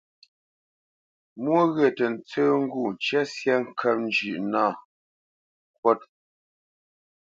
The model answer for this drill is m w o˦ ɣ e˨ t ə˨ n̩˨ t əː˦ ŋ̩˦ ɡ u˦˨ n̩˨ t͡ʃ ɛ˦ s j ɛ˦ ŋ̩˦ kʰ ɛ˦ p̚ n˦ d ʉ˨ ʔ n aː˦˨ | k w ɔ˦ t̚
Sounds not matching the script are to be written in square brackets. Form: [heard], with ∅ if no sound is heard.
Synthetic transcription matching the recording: m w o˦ ɣ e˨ t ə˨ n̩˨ [t͡s] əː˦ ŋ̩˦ ɡ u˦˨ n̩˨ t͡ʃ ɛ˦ s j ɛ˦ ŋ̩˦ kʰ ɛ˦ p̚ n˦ [d͡ʒ] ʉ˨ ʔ n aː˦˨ | k w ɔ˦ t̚

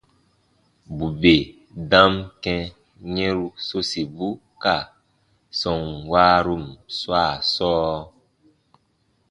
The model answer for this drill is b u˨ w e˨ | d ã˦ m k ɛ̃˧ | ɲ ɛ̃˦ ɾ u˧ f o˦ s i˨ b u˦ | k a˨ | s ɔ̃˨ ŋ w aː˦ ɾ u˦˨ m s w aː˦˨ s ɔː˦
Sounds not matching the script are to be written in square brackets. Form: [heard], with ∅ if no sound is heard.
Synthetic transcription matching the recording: b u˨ [b] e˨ | d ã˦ m k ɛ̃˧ | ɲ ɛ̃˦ ɾ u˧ [s] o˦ s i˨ b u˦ | k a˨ | s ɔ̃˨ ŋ w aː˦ ɾ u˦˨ m s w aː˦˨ s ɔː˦

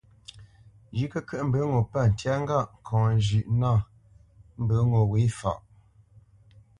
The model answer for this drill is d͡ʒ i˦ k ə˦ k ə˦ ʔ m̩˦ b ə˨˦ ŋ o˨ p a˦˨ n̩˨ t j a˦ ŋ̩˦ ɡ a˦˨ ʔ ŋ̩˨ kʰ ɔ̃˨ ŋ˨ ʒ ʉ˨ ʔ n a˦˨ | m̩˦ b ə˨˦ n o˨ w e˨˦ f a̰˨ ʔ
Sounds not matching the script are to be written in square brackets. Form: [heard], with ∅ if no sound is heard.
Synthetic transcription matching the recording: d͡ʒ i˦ k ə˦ k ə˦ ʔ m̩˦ b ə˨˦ ŋ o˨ p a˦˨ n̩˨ t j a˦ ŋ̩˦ ɡ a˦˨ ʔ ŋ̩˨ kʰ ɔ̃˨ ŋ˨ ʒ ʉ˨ ʔ n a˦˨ | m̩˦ b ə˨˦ [ŋ] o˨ w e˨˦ f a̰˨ ʔ

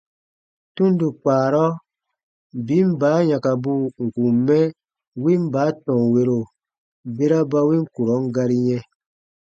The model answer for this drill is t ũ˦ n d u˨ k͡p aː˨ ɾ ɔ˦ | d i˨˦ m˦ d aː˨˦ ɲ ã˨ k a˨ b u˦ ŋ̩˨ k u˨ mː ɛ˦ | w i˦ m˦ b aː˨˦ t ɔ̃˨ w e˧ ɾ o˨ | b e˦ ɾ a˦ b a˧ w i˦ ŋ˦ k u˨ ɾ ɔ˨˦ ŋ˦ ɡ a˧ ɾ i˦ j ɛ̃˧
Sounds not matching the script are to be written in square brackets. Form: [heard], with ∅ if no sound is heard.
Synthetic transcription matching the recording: t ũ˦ n d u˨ k͡p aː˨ ɾ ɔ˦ | [b] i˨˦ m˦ [b] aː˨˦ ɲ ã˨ k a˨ b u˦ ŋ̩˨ k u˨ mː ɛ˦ | w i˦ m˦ b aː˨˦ t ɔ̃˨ w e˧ ɾ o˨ | b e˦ ɾ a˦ b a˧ w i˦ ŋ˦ k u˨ ɾ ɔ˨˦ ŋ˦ ɡ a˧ ɾ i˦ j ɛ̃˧

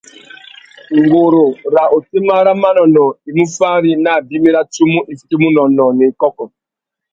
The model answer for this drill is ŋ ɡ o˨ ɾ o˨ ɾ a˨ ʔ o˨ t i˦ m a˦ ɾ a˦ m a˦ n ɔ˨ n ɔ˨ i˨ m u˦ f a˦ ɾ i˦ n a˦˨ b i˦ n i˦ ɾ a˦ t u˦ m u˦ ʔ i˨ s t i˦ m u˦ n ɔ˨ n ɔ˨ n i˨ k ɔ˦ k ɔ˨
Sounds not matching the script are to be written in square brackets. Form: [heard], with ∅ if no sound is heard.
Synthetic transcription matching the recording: ŋ ɡ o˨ ɾ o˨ ɾ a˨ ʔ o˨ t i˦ m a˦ ɾ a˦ m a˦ n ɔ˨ n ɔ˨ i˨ m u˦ f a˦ ɾ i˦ n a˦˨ b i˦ [m] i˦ ɾ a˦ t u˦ m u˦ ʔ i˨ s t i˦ m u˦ n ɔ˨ n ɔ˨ n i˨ k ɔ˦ k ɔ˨

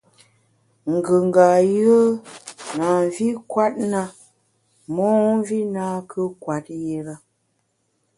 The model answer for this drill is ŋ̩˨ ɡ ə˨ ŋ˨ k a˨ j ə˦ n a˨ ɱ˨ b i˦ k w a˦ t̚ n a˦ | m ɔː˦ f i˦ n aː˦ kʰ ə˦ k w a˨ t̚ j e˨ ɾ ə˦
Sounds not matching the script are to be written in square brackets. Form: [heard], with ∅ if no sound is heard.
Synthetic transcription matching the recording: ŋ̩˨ ɡ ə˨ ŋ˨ [ɡ] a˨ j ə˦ n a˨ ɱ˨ [v] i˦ k w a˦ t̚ n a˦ | m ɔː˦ [v] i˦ n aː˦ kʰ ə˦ k w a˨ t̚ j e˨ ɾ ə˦

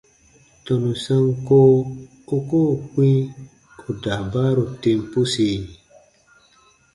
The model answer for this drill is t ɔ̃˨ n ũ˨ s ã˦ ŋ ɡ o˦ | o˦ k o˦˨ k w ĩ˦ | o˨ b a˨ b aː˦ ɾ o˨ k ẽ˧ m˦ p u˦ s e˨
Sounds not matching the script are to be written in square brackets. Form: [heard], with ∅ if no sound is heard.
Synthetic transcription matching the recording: t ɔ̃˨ n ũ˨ s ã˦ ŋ [k] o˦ | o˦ k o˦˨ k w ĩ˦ | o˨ [d] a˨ b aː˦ ɾ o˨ [t] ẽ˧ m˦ p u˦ s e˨

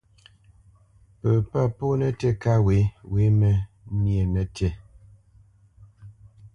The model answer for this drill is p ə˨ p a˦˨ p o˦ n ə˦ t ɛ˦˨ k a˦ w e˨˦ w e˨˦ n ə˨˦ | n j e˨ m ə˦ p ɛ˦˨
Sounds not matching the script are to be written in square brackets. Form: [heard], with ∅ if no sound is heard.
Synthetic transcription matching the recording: p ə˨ p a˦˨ p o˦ n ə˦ t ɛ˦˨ k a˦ w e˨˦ w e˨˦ [m] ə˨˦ | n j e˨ [n] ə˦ [t] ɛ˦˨

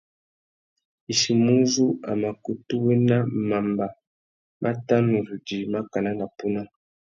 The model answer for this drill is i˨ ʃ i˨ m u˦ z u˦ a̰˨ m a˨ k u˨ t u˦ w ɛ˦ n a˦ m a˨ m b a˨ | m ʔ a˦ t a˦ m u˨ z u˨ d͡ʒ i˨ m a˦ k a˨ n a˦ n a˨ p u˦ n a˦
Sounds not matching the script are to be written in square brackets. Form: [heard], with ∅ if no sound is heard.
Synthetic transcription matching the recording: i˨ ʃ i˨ m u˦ z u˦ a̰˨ m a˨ k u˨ t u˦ w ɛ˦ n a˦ m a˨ m b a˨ | m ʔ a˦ t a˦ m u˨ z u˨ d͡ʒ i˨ m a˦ k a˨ n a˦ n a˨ p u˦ n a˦

